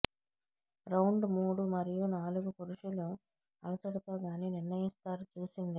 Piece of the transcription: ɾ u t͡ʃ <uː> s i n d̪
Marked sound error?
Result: no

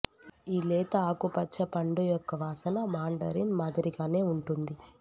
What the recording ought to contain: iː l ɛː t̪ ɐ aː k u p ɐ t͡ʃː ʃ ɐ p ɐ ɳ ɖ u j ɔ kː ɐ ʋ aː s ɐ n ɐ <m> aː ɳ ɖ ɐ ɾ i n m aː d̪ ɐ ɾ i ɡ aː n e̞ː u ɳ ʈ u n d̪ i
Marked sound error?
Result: no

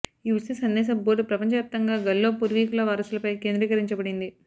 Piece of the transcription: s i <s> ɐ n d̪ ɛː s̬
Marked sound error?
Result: no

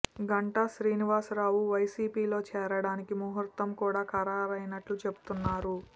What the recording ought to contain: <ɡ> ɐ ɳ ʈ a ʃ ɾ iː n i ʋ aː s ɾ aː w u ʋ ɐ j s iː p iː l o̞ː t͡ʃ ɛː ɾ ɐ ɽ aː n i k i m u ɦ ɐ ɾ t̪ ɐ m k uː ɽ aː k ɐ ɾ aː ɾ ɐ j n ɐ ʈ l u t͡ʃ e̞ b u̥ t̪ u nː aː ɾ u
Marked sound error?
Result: no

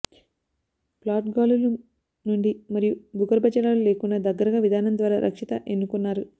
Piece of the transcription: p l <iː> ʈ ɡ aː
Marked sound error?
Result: yes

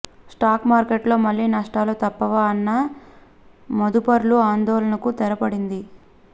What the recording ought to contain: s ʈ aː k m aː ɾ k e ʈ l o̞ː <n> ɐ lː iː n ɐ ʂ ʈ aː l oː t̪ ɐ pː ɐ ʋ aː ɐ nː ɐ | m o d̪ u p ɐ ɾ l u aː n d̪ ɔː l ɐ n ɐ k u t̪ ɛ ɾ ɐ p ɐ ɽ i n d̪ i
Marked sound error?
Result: yes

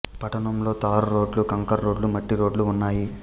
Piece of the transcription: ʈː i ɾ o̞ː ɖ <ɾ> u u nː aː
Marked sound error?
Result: yes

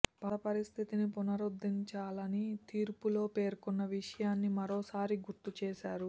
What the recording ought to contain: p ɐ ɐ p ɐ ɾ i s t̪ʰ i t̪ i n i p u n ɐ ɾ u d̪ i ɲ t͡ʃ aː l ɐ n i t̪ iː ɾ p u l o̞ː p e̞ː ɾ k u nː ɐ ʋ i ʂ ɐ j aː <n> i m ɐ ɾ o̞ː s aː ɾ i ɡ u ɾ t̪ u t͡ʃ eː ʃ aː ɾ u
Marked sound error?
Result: yes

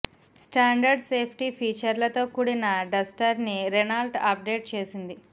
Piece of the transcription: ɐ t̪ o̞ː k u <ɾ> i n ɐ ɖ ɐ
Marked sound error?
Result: yes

